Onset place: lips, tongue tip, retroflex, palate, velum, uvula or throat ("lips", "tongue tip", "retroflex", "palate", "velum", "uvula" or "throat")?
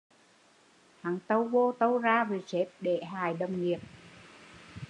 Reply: throat